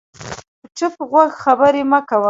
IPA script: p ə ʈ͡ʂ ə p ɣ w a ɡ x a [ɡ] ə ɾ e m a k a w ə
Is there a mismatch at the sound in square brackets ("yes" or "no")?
yes